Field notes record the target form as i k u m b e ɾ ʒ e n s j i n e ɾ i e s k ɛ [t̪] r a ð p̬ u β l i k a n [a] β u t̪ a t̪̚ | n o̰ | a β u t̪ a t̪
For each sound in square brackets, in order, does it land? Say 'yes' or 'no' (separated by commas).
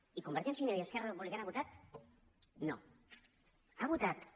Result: no, yes